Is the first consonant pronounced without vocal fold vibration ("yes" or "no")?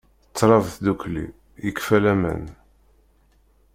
yes